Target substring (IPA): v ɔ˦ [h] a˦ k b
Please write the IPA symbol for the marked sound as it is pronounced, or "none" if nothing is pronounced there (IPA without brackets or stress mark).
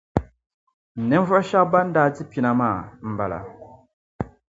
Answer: ʃ